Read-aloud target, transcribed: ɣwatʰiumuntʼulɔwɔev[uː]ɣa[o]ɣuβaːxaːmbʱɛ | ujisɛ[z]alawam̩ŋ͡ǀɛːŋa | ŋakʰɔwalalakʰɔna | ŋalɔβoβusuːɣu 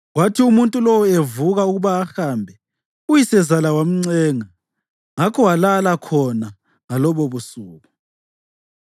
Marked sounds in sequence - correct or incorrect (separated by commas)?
incorrect, incorrect, correct